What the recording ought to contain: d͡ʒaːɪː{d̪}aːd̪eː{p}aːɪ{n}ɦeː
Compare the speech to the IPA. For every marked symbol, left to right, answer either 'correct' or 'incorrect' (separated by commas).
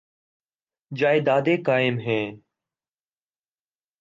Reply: correct, incorrect, incorrect